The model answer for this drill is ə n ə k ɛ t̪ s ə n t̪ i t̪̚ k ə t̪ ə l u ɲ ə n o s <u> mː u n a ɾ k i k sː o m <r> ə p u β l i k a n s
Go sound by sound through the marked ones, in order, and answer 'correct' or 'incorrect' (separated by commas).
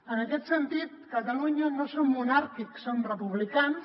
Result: incorrect, correct